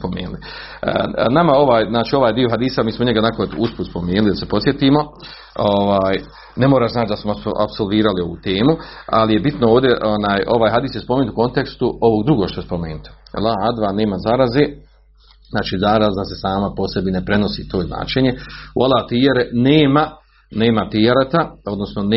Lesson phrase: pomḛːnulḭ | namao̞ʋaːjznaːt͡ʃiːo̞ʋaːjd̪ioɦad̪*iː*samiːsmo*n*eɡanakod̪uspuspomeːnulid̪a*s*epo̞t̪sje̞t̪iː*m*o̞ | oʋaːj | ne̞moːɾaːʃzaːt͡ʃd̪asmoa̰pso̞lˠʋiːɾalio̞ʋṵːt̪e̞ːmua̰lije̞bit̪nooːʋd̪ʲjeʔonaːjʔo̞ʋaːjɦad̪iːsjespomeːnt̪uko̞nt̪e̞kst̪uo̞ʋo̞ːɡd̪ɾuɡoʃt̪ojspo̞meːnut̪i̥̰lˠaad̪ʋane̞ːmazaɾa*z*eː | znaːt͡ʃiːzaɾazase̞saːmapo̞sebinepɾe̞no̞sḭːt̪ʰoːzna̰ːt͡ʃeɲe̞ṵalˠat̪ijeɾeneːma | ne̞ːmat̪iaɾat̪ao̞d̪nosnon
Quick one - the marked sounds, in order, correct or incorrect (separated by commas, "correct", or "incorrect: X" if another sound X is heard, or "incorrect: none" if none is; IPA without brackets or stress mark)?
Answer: correct, incorrect: ɲ, correct, correct, correct